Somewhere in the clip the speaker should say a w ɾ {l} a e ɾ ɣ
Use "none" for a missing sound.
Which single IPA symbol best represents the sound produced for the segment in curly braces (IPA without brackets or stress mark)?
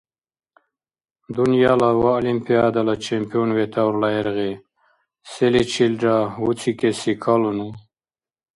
l